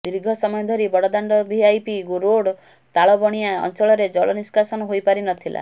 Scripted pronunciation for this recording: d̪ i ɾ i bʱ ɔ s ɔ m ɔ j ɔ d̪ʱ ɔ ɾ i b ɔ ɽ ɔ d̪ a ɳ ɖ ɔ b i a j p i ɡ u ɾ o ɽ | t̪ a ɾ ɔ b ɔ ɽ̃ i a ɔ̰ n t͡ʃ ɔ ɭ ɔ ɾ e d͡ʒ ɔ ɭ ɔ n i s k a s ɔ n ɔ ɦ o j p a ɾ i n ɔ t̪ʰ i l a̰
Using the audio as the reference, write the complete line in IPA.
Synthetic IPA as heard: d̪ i ɾ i ɡʱ ɔ s ɔ m ɔ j ɔ d̪ʱ ɔ ɾ i b ɔ ɽ ɔ d̪ a ɳ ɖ ɔ b i a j p i ɡ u ɾ o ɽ | t̪ a ɭ ɔ b ɔ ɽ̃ i a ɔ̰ n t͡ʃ ɔ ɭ ɔ ɾ e d͡ʒ ɔ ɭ ɔ n i s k a s ɔ n ɔ ɦ o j p a ɾ i n ɔ t̪ʰ i l a̰